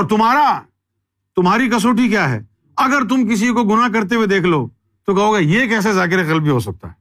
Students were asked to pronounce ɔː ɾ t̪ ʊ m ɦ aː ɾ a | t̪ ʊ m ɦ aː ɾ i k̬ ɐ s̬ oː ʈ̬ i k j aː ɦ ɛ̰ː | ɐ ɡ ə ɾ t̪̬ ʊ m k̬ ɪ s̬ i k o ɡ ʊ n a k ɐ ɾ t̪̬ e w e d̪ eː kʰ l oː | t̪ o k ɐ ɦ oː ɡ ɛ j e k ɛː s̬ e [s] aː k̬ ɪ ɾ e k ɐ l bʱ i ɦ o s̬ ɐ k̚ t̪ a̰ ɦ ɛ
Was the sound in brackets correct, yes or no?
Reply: no